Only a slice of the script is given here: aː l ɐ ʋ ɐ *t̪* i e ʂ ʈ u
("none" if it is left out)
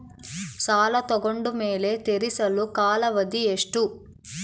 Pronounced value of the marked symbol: d̪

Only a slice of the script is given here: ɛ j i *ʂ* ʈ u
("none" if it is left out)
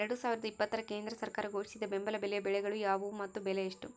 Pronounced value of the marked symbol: ʂ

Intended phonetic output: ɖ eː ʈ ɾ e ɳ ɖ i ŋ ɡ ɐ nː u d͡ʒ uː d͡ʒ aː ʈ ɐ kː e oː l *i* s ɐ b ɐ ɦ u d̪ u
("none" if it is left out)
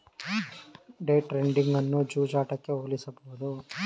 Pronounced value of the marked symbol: i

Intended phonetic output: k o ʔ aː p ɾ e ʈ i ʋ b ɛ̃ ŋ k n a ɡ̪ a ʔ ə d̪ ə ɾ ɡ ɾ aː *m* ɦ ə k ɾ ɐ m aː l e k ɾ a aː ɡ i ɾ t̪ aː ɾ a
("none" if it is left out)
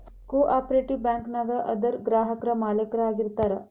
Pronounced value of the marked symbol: none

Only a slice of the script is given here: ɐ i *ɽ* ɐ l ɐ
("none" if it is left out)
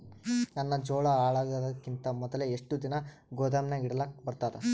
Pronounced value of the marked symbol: ɽ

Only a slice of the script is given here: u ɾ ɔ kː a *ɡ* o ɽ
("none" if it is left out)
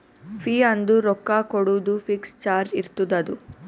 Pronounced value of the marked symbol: k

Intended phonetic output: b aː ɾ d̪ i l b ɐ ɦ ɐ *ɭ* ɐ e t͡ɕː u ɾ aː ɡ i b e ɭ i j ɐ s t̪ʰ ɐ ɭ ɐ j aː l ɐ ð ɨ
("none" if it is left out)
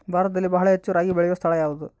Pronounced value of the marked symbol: ɭ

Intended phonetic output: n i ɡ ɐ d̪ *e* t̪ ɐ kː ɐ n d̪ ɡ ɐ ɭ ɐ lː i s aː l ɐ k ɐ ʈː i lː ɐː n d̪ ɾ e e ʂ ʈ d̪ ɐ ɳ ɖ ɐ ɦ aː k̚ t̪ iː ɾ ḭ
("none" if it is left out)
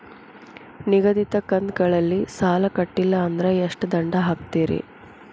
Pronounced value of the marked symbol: i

